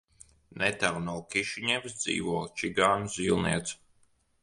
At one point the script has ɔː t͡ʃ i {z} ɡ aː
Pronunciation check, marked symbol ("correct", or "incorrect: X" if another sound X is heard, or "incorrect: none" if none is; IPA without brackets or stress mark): incorrect: none